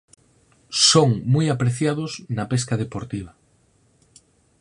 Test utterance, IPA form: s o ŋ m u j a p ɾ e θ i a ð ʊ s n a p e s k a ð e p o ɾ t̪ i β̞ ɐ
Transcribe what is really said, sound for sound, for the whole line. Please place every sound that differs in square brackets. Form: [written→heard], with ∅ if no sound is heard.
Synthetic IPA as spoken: s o ŋ m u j a p ɾ e θ [i→j] a ð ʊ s n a p e s k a ð e p o ɾ t̪ i β̞ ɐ